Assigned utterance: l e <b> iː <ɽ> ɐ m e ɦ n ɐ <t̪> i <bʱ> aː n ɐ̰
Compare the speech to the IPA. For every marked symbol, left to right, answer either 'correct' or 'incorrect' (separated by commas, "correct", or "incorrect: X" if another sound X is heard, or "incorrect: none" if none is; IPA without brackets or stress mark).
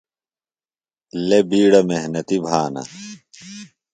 correct, correct, correct, correct